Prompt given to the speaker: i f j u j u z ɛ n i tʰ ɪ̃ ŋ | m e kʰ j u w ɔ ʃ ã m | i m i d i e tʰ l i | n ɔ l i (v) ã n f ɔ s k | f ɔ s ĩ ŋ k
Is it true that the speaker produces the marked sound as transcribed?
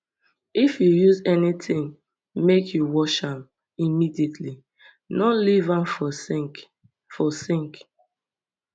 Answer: yes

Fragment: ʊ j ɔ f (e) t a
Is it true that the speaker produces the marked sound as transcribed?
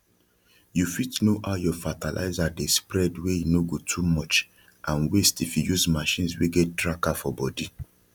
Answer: no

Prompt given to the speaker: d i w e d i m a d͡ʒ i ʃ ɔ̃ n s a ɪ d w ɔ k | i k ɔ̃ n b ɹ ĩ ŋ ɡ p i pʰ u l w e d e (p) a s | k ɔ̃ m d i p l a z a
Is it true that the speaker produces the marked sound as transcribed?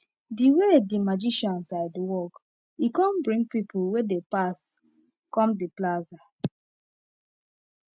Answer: yes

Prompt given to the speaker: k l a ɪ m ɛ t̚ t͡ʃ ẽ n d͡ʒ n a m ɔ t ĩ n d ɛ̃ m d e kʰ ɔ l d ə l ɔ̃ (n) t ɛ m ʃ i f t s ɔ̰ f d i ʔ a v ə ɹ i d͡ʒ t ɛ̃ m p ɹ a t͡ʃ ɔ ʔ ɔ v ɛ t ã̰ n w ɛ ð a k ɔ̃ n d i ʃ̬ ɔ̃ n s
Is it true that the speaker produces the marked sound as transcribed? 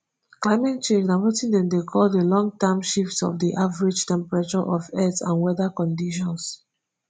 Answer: no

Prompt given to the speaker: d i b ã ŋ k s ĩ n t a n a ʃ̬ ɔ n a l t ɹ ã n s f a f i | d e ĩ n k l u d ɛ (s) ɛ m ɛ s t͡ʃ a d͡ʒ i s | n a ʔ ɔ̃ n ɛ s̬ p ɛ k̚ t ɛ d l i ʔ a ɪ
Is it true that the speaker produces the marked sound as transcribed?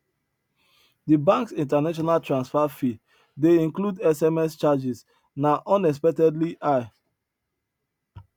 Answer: yes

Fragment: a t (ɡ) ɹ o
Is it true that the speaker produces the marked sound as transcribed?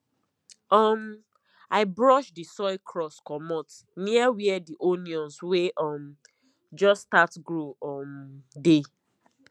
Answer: yes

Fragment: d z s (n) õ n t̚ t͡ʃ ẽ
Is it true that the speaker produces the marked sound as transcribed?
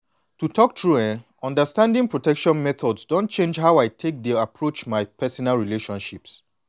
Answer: no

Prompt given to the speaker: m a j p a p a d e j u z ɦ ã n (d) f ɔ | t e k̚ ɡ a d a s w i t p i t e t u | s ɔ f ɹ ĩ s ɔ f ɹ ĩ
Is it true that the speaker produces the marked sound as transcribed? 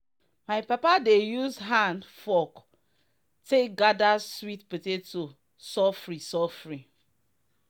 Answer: yes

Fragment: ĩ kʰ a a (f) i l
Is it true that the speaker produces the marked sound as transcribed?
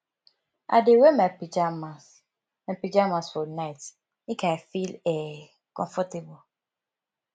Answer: yes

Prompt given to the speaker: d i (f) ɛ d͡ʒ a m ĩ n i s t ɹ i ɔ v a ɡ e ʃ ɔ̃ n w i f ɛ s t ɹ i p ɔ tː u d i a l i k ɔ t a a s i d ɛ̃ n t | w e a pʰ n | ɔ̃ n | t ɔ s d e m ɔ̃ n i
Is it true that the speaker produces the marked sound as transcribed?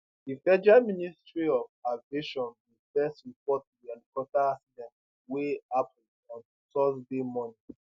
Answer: yes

